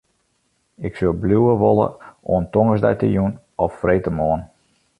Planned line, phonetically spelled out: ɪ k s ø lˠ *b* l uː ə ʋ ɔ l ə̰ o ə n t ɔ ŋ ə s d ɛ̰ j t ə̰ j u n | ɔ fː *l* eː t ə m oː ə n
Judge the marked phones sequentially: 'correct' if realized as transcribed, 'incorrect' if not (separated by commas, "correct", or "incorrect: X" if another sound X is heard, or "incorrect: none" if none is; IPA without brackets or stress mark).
correct, incorrect: r